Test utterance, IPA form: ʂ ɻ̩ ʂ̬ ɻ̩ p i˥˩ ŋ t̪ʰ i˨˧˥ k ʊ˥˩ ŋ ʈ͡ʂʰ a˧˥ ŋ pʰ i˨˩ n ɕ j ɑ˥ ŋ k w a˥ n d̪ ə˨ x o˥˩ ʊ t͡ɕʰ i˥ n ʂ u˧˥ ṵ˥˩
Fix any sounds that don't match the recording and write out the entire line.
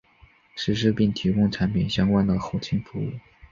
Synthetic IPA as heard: ʂ ɻ̩ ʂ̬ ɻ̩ p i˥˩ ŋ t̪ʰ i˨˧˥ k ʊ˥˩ ŋ ʈ͡ʂʰ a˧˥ n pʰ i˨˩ n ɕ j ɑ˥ ŋ k w a˥ n d̪ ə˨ x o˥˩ ʊ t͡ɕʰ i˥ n f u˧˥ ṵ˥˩